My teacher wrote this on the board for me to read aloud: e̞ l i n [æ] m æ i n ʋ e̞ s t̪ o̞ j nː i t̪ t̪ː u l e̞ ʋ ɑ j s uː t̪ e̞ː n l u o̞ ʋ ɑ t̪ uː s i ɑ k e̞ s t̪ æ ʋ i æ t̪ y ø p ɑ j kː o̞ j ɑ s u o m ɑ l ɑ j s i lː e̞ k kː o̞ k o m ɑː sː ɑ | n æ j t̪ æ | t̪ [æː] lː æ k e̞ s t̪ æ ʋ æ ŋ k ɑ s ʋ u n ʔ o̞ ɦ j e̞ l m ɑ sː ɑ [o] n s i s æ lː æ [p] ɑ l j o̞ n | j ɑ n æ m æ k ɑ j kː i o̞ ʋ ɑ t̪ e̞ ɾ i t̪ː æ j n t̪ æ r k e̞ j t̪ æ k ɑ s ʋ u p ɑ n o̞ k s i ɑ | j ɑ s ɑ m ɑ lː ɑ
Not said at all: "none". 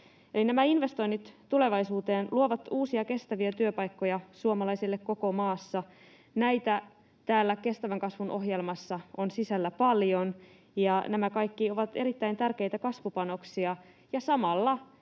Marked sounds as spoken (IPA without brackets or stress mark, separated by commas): æ, æː, o, p